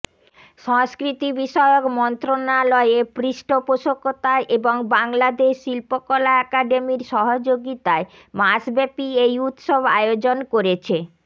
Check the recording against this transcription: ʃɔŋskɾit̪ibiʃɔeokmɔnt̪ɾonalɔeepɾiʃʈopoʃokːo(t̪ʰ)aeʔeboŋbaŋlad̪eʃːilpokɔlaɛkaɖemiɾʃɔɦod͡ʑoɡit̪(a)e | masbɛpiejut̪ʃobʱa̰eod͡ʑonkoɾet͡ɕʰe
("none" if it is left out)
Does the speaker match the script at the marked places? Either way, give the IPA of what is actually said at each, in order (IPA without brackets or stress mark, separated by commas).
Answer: t̪, a